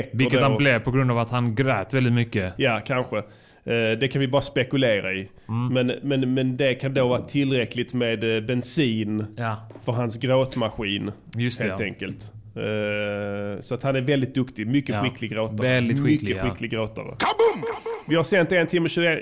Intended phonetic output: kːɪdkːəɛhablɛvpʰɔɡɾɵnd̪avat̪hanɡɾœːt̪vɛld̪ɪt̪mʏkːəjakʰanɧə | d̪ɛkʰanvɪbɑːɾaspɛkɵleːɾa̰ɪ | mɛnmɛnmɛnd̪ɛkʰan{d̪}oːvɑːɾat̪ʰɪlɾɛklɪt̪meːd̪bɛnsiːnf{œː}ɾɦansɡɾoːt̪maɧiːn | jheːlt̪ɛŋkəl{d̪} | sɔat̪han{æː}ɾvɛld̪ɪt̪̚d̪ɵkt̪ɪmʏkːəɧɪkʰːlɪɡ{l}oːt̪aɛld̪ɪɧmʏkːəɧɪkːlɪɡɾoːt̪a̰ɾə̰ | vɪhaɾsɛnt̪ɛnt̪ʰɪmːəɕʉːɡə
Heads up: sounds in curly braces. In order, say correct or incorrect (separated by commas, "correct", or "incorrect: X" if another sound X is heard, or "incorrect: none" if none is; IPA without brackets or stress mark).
correct, incorrect: œ, incorrect: t̪, incorrect: æ, incorrect: ɾ